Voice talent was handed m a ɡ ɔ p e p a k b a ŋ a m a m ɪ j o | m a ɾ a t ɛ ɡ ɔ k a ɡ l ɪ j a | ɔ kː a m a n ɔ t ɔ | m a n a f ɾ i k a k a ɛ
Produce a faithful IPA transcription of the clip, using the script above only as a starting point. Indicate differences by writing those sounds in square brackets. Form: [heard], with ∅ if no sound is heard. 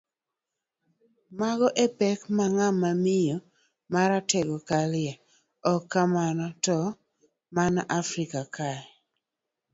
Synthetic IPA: m a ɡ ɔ [ʔ] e p [ɛ] k [m] a ŋ a m a m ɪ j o | m a ɾ a t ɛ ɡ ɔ k a [∅] l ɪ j a | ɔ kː a m a n ɔ t ɔ | m a n a f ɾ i k a k a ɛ